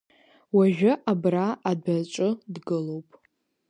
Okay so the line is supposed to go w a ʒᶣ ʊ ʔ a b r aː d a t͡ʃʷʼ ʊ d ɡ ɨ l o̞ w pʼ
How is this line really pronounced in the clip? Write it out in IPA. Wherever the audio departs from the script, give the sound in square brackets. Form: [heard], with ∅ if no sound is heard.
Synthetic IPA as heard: w a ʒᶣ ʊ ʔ a b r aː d a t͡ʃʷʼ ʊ d ɡ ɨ l o̞ w pʼ